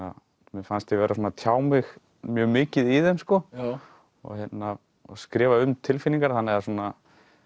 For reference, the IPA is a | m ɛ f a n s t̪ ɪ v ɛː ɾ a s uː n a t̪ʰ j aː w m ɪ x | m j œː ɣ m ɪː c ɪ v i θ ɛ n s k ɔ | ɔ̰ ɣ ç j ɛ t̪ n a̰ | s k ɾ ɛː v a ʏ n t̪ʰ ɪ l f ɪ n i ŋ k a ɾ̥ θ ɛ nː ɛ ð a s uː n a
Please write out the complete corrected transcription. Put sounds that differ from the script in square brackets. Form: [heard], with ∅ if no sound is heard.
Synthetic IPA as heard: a | m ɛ f a n s t̪ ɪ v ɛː ɾ a s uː n a t̪ʰ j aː w m ɪ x | m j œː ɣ m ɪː c ɪ [ð] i [ð] ɛ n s k ɔ | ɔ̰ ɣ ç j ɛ t̪ n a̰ | s k ɾ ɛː v a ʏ [m] t̪ʰ ɪ l f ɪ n i ŋ k a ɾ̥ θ [a] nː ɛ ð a s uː n a